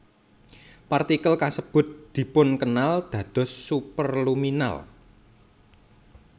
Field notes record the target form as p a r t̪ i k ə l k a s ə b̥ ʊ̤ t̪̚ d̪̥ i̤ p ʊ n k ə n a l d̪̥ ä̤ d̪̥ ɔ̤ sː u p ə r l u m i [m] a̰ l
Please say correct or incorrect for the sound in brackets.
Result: incorrect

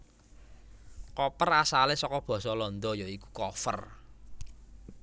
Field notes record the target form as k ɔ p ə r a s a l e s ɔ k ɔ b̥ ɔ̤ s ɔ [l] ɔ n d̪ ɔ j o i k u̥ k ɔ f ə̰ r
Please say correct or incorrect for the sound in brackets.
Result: correct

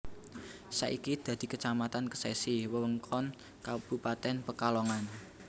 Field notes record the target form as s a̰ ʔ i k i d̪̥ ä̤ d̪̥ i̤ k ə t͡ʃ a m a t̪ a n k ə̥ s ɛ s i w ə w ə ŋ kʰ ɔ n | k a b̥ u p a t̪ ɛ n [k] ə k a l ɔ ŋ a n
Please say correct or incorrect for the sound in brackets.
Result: incorrect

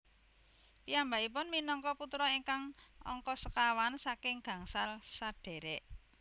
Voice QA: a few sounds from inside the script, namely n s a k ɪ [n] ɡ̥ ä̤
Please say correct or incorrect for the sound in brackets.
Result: incorrect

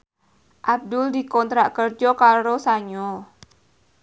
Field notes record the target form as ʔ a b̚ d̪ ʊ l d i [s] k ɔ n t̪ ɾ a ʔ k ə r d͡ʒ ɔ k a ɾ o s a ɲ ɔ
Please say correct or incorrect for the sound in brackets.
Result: incorrect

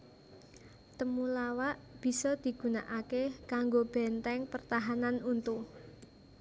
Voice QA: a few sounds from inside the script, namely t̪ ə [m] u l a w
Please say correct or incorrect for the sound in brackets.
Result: correct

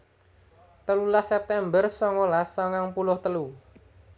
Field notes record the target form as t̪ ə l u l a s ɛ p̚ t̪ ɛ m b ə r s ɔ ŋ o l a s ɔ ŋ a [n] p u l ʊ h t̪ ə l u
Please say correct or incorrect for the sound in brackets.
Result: incorrect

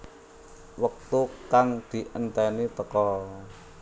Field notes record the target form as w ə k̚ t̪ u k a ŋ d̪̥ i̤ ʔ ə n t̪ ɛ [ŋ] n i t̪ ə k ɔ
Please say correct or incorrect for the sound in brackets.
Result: incorrect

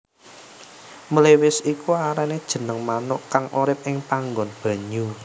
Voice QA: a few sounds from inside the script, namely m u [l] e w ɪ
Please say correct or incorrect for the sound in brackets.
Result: correct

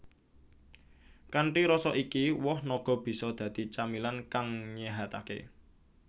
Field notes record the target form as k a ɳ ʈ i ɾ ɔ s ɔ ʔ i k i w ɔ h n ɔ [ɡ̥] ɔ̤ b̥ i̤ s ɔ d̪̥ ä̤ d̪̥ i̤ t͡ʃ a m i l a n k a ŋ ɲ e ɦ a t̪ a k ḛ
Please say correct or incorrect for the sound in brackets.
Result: correct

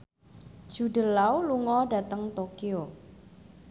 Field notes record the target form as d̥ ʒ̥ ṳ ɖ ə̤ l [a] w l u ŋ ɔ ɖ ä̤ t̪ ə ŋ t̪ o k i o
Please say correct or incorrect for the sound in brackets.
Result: correct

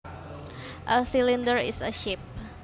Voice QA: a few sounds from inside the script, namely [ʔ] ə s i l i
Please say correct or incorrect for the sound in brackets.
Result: correct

